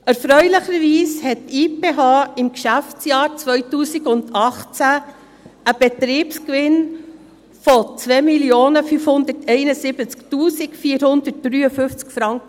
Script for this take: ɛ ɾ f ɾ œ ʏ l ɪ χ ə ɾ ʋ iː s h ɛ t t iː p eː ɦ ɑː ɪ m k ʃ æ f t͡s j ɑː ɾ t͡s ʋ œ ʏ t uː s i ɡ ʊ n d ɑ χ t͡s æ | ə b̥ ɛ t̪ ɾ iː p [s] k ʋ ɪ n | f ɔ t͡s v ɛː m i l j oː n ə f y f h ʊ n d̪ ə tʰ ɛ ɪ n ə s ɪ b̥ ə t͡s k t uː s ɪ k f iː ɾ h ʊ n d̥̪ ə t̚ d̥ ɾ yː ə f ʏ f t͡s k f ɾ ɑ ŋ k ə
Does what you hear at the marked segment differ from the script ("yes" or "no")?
no